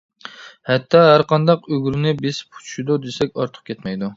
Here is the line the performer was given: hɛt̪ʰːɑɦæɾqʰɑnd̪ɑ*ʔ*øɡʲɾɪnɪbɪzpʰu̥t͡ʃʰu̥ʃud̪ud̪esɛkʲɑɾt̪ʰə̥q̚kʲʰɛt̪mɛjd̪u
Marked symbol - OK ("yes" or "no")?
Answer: no